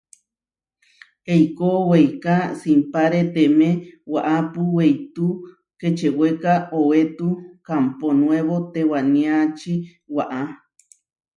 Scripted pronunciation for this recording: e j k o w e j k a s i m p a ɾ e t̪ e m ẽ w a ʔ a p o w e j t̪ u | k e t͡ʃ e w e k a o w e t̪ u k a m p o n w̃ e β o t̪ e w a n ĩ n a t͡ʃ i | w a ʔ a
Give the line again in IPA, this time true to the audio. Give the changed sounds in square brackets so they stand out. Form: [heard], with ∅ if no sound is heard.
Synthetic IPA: e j k o w e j k a s i m p a ɾ e t̪ e m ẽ w a ʔ a p [u] w e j t̪ u | k e t͡ʃ e w e k a o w e t̪ u k a m p o n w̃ e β o t̪ e w a n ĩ [∅] a t͡ʃ i | w a ʔ a